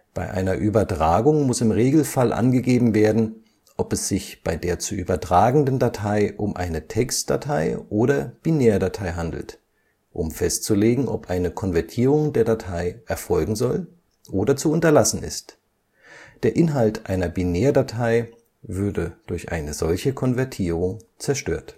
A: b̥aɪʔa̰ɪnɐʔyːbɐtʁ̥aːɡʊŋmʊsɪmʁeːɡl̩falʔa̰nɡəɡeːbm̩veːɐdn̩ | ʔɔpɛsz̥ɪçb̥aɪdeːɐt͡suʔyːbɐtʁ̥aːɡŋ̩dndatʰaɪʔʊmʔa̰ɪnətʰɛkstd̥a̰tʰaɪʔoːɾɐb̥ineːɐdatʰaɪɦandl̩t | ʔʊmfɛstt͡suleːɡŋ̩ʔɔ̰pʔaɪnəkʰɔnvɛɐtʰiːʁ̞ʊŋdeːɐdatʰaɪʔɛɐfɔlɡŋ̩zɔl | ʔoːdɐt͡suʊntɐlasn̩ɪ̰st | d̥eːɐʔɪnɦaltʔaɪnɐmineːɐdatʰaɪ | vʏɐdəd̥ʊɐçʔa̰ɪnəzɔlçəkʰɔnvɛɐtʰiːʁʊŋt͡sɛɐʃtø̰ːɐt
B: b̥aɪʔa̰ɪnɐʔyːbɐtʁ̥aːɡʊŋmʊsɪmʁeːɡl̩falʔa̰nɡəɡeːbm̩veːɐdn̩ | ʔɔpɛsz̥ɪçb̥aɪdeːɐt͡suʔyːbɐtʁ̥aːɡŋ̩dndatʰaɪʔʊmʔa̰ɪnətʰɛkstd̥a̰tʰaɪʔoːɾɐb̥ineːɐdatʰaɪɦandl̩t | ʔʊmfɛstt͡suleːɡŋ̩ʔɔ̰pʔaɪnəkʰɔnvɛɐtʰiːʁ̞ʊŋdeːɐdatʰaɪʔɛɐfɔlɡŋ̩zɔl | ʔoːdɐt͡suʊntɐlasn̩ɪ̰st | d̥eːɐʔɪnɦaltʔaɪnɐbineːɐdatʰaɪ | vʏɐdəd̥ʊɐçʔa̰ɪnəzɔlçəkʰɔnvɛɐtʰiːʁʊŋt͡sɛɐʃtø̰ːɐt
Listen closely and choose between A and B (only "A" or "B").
B